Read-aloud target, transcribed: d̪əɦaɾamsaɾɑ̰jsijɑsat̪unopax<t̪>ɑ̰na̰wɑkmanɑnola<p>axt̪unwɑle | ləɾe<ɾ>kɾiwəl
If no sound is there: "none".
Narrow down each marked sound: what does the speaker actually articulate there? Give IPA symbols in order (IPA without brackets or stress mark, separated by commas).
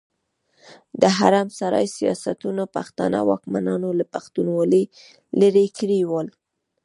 t̪, p, none